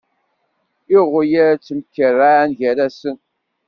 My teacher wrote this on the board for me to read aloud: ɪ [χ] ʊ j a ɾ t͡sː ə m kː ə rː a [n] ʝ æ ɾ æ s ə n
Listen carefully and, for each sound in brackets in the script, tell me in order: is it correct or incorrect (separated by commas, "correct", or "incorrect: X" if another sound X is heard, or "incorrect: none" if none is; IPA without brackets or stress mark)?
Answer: incorrect: ʁ, correct